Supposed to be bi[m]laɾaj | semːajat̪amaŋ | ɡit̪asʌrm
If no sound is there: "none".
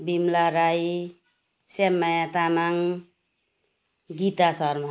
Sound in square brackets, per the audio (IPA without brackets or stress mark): m